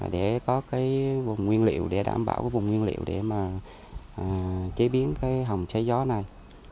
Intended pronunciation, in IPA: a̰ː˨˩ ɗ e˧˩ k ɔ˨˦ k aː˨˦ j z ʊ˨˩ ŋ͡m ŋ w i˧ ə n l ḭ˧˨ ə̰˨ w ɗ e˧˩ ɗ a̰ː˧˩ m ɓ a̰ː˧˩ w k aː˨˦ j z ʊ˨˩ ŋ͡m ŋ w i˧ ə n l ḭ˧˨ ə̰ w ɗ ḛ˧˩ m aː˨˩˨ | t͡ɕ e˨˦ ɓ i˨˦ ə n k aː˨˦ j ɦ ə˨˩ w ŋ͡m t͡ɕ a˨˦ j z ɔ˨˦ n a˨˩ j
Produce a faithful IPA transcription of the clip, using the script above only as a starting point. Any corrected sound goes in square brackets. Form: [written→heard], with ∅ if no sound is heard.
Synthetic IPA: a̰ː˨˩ ɗ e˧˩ k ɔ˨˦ k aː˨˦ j [z→v] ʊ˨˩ ŋ͡m ŋ w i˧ ə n l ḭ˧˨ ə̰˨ w ɗ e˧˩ ɗ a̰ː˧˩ m ɓ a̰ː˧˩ w k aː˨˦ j [z→v] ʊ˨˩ ŋ͡m ŋ w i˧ ə n l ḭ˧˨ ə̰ w ɗ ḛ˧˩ m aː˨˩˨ | t͡ɕ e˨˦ ɓ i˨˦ ə n k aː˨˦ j ɦ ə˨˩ w ŋ͡m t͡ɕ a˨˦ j z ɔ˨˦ n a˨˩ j

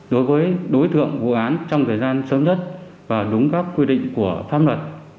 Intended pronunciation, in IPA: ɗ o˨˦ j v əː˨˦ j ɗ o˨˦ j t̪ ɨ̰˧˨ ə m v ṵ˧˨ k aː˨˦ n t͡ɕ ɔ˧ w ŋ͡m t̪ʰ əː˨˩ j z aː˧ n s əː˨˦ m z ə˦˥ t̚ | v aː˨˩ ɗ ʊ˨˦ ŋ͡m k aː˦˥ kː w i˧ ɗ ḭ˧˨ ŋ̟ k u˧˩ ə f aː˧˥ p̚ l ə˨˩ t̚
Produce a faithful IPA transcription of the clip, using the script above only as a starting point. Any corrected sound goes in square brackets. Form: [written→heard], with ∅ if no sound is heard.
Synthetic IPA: ɗ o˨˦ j v əː˨˦ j ɗ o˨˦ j t̪ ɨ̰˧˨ ə [m→ŋ] v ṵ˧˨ [k→ʔ] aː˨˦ n t͡ɕ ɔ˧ w ŋ͡m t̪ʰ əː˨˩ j z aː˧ n s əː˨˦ m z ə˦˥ t̚ | v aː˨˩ ɗ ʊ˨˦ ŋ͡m k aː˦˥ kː w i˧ ɗ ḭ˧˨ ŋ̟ k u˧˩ ə f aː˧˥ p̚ l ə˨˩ t̚

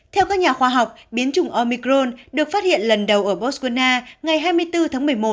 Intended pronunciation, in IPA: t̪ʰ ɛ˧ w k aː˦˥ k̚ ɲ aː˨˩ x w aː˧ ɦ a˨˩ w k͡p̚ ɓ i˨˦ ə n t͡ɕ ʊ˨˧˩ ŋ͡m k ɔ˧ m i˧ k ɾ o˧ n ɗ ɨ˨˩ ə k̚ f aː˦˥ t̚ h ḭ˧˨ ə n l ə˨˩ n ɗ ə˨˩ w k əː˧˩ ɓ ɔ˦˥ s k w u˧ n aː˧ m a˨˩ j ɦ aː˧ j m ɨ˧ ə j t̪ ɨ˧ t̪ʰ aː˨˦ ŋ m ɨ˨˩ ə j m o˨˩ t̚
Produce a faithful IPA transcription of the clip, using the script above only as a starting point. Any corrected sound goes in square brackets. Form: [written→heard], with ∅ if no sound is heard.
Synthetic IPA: t̪ʰ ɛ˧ w k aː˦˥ k̚ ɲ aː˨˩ x w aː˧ ɦ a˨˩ w k͡p̚ ɓ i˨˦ ə n t͡ɕ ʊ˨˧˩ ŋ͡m [k→ʔ] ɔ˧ m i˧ k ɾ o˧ n ɗ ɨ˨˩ ə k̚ f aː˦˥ t̚ h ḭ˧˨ ə n l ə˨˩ n ɗ ə˨˩ w [k→ʔ] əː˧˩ ɓ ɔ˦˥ s k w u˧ n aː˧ [m→ŋ] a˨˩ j ɦ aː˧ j m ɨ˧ ə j t̪ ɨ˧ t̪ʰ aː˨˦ ŋ m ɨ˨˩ ə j m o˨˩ t̚

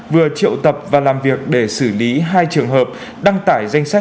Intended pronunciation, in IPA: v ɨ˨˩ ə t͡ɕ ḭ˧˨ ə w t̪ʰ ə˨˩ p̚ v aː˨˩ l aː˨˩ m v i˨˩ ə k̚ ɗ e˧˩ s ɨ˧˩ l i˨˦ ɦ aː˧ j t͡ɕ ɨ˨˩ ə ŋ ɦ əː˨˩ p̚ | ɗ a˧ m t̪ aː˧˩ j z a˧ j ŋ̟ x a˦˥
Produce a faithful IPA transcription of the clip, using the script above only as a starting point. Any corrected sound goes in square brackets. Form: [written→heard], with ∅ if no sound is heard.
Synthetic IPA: v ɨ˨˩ ə t͡ɕ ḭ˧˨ ə w [t̪ʰ→t̪] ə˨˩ p̚ v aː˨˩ l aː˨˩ m v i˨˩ ə k̚ ɗ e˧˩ s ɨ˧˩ l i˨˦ ɦ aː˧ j t͡ɕ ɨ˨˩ ə ŋ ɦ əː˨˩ p̚ | ɗ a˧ [m→ŋ] t̪ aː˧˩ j z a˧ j ŋ̟ [x→s] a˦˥

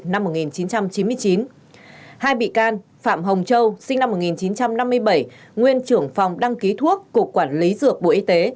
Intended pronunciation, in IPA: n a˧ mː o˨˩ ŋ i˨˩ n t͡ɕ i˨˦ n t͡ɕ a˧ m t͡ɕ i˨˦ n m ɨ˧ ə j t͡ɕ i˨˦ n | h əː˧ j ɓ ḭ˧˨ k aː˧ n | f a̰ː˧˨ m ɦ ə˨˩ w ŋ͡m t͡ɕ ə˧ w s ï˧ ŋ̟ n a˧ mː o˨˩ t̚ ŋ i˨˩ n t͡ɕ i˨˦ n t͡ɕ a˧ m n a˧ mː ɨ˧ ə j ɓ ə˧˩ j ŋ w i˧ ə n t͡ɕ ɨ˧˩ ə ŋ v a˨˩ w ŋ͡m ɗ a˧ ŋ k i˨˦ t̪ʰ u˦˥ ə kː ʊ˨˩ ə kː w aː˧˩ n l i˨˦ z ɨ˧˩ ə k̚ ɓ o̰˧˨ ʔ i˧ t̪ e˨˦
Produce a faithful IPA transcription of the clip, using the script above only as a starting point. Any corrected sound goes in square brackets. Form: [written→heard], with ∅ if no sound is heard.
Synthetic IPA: n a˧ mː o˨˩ ŋ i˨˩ n t͡ɕ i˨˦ n t͡ɕ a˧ m t͡ɕ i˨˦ n m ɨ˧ ə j t͡ɕ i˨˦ n | h [əː˧→aː˧] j ɓ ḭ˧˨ k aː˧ n | f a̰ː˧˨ m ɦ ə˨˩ w ŋ͡m t͡ɕ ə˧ w s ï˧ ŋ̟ n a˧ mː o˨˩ t̚ ŋ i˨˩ n t͡ɕ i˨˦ n t͡ɕ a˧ m n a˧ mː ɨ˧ ə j ɓ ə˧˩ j ŋ w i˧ ə n t͡ɕ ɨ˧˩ ə ŋ [v→f] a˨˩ w ŋ͡m ɗ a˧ ŋ k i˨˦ t̪ʰ u˦˥ ə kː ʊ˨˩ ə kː w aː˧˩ n l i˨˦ z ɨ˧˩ ə k̚ ɓ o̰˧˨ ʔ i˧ t̪ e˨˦

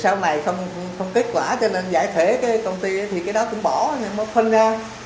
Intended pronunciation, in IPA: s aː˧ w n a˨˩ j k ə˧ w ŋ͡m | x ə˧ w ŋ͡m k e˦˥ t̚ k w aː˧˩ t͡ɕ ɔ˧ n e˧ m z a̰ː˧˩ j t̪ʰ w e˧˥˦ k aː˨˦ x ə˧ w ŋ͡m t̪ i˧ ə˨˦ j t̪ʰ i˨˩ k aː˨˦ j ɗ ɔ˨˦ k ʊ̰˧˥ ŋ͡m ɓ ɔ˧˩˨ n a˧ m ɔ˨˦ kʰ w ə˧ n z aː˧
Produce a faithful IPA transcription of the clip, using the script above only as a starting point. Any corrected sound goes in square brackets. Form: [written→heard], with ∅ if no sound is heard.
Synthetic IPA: s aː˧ w n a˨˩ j [k→x] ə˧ w ŋ͡m | x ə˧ w ŋ͡m k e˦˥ t̚ k w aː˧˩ t͡ɕ ɔ˧ n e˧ [m→n] z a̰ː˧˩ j t̪ʰ w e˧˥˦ k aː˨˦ [x→k] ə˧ w ŋ͡m t̪ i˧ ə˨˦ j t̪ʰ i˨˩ k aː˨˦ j ɗ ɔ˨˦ k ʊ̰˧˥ ŋ͡m ɓ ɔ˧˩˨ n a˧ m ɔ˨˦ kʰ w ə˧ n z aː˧

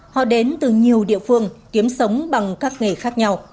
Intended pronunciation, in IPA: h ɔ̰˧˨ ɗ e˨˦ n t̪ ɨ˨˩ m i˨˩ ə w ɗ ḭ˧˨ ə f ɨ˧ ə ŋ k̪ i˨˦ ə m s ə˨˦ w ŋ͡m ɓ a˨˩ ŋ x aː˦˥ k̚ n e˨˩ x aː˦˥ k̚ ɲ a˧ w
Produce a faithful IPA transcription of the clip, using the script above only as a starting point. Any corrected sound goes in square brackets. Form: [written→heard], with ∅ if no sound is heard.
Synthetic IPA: h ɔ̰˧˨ ɗ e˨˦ n t̪ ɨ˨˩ [m→ɲ] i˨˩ ə w ɗ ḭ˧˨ ə f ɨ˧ ə ŋ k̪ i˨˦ ə m s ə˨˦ w ŋ͡m ɓ a˨˩ ŋ [x→k] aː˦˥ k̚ [n→ŋ] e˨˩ x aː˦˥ k̚ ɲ a˧ w

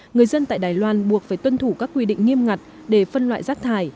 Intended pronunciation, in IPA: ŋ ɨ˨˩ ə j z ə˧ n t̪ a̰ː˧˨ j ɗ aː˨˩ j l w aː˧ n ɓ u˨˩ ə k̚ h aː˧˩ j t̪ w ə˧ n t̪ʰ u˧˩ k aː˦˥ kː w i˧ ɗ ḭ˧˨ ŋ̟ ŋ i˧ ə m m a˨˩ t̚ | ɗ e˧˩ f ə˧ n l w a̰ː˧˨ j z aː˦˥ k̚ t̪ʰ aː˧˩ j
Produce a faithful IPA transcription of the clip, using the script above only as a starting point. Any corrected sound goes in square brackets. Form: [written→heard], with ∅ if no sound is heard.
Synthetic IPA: ŋ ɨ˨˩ ə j z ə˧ n t̪ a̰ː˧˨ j ɗ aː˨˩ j l w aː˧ n ɓ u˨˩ ə k̚ [h→f] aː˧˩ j t̪ w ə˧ n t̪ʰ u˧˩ k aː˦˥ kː w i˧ ɗ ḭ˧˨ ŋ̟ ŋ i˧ ə m [m→ŋ] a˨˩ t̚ | ɗ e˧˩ f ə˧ n l w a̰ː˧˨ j z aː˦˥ k̚ t̪ʰ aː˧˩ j

